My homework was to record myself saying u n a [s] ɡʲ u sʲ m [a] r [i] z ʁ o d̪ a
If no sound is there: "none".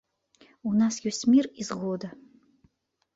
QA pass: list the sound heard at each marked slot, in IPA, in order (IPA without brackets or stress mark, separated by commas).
s, i, i